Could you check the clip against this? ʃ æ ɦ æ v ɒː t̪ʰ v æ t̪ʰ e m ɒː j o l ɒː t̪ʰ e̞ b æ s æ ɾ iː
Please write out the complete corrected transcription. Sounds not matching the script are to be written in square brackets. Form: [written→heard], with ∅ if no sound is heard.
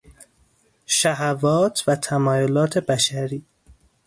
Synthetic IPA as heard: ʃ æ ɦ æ v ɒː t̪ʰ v æ t̪ʰ [e→æ] m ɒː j o l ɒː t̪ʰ e̞ b æ [s→ʃ] æ ɾ iː